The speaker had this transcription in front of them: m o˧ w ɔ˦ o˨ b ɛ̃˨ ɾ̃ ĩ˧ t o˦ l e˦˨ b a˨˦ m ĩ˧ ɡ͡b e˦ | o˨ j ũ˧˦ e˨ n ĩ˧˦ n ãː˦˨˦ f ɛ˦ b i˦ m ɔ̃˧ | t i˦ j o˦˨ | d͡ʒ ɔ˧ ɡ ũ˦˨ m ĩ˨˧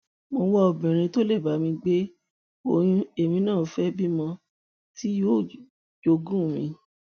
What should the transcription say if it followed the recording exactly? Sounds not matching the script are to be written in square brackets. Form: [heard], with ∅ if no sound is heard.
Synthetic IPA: m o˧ w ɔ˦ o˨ b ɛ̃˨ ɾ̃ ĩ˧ t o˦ l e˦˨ b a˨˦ m ĩ˧ ɡ͡b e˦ | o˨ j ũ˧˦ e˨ [m] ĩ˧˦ n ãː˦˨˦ f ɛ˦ b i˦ m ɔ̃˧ | t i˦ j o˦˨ | d͡ʒ [o˧] ɡ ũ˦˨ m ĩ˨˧

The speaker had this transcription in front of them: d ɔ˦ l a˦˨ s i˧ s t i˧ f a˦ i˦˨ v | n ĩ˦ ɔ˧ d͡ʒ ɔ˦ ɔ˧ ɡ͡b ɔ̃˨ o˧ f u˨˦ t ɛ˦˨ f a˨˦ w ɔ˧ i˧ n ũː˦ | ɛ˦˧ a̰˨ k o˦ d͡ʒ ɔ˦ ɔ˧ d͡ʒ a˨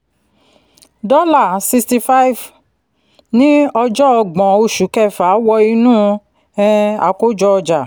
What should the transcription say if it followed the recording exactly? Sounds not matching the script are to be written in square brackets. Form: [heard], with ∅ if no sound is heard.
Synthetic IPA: d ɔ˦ l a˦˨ s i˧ s t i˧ f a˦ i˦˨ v | n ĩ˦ ɔ˧ d͡ʒ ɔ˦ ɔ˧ ɡ͡b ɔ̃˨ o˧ [ʃ] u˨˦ [k] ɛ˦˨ f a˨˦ w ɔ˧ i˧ n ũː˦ | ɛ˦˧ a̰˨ k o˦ d͡ʒ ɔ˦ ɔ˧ d͡ʒ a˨

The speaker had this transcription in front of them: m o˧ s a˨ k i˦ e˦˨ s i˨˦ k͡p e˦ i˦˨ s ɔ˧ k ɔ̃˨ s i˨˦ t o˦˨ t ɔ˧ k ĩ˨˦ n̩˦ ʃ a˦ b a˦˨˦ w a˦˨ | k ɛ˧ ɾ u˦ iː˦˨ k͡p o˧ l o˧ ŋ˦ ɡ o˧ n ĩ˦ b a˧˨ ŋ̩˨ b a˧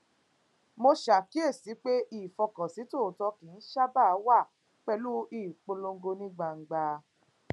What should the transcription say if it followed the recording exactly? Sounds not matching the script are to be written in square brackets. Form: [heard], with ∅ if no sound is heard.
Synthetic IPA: m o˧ [ʃ] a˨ k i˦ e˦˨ s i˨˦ k͡p e˦ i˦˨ [f] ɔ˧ k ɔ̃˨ s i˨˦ t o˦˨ t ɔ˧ k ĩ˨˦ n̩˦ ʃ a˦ b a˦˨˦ w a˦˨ | [k͡p] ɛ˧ [l] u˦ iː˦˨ k͡p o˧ l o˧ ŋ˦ ɡ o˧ n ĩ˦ [ɡ͡b] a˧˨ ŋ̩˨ [ɡ͡b] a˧

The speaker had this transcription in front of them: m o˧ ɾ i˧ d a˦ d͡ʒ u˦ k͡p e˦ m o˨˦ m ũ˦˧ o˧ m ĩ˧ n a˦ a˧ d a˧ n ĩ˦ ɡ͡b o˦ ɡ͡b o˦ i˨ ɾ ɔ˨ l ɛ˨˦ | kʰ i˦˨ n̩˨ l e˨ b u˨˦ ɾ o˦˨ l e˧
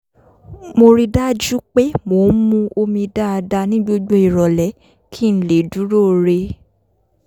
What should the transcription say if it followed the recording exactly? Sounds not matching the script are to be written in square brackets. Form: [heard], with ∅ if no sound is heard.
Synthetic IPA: m o˧ ɾ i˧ d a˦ d͡ʒ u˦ k͡p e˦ m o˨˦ m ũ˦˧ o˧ m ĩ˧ [d] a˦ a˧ d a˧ n ĩ˦ ɡ͡b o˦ ɡ͡b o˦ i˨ ɾ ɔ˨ l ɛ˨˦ | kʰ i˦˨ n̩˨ l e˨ [d] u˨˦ ɾ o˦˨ [ɾ] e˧

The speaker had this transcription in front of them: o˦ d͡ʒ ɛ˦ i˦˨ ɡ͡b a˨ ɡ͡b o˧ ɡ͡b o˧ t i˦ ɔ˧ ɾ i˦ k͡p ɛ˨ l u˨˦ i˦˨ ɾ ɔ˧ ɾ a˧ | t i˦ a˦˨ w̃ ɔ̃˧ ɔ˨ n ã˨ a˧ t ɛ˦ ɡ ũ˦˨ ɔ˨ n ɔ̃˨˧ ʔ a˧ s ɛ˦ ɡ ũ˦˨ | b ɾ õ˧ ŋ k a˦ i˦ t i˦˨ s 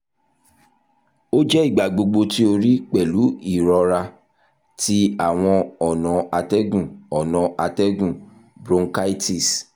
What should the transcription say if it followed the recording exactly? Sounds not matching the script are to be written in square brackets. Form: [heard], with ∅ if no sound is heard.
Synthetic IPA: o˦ d͡ʒ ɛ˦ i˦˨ ɡ͡b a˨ ɡ͡b o˧ ɡ͡b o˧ t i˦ [o˧] ɾ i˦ k͡p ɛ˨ l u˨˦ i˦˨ ɾ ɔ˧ ɾ a˧ | t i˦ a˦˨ w̃ ɔ̃˧ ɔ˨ n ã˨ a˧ t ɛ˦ ɡ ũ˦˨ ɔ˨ n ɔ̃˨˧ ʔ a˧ [t] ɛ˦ ɡ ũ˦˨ | b ɾ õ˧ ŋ k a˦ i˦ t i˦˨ s

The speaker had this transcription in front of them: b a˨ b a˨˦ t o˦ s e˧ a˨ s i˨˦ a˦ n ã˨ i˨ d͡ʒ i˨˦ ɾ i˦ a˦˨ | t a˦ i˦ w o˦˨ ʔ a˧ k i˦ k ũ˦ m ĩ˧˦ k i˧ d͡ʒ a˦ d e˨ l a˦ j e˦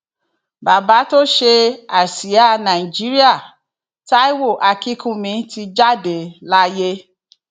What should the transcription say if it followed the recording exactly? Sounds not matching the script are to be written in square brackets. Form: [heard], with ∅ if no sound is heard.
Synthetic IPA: b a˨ b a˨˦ t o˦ [ʃ] e˧ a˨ s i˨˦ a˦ n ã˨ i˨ d͡ʒ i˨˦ ɾ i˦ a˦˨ | t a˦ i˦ w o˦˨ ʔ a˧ k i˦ k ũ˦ m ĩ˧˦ [t] i˧ d͡ʒ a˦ d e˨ l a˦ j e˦

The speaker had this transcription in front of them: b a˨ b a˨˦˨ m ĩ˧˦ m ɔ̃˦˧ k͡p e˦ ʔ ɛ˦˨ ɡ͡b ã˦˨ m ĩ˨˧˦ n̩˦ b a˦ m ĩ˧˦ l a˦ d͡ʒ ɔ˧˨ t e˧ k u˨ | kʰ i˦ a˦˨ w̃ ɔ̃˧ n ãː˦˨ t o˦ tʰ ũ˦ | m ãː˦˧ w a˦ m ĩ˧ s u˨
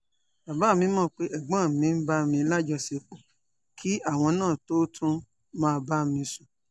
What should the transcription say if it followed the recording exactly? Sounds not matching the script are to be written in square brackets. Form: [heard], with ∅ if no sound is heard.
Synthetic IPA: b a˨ b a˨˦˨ m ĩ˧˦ m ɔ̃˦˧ k͡p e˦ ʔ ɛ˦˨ ɡ͡b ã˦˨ m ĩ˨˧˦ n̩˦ b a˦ m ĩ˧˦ l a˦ d͡ʒ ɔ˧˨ [s] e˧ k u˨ | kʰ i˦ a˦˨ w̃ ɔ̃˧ n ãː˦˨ t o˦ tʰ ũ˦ | m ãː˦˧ [b] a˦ m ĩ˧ s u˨

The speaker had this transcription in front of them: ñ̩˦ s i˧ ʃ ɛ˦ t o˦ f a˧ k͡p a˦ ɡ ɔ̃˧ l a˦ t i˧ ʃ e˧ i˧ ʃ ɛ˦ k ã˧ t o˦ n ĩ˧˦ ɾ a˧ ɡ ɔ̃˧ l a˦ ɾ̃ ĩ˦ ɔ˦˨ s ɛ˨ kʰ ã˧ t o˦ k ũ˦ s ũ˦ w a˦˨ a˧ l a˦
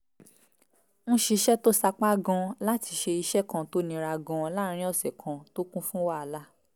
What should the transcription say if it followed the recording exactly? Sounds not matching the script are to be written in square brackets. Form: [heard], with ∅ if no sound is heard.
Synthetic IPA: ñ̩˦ [ʃ] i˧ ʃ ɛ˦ t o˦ [s] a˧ k͡p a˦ ɡ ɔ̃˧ l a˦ t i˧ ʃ e˧ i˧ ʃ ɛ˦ k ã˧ t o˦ n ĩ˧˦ ɾ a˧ ɡ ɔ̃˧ l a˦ ɾ̃ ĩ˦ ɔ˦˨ s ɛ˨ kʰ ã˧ t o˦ k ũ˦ [f] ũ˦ w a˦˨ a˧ l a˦

